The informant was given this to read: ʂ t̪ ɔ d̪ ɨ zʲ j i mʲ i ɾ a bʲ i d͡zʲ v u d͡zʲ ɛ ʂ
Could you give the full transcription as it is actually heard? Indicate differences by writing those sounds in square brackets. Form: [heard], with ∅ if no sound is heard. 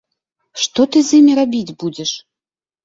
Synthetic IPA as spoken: ʂ t̪ ɔ [t̪] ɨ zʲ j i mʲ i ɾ a bʲ i d͡zʲ [b] u d͡zʲ ɛ ʂ